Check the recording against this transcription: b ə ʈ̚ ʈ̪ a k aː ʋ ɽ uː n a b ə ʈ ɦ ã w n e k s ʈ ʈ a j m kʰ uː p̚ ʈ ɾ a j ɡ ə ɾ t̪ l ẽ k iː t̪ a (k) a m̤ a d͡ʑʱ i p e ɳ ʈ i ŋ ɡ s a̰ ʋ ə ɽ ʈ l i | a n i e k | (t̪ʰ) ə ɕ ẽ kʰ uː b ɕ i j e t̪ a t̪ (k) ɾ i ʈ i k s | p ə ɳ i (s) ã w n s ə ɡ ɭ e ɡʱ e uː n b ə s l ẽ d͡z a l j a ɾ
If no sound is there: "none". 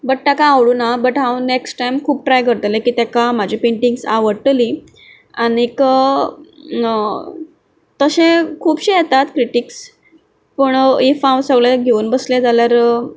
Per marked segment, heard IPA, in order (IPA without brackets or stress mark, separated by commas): k, t̪, k, f